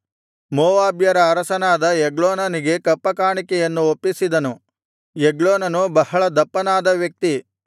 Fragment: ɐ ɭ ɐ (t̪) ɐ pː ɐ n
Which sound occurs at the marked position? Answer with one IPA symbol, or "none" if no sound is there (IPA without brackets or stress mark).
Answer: d̪